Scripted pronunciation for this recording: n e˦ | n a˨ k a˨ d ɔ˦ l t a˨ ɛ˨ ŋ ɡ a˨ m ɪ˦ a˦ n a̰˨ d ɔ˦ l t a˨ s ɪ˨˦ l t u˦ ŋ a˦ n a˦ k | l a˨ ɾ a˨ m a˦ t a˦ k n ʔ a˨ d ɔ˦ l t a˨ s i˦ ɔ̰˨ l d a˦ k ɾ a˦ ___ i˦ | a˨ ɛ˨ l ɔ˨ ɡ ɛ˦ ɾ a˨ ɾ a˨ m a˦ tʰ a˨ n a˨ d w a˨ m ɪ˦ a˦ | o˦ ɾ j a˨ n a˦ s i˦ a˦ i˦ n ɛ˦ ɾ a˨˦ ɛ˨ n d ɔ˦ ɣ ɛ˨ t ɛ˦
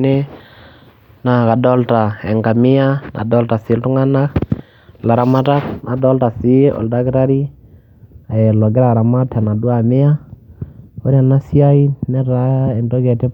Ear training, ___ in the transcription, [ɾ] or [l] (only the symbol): ɾ